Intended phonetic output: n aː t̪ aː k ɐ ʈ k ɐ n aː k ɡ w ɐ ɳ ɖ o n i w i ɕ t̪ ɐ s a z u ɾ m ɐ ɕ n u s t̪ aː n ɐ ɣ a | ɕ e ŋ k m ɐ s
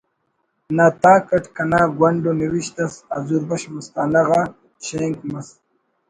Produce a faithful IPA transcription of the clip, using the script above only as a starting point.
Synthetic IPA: n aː t̪ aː k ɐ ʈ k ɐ n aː ɡ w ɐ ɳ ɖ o n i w i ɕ t̪ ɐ s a z u ɾ b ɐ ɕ m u s t̪ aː n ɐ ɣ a | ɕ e ŋ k m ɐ s